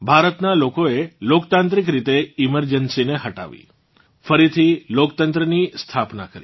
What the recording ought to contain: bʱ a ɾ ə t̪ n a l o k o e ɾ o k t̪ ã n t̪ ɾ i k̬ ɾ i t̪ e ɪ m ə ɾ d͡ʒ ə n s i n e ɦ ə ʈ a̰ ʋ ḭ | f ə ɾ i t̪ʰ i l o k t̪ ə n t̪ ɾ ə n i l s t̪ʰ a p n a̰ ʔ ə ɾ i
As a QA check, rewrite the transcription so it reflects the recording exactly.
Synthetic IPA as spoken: bʱ a ɾ ə t̪ n a l o k o e l o k t̪ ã n t̪ ɾ i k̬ ɾ i t̪ e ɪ m ə ɾ d͡ʒ ə n s i n e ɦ ə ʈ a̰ ʋ ḭ | f ə ɾ i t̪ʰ i l o k t̪ ə n t̪ ɾ ə n i s t̪ʰ a p n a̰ k ə ɾ i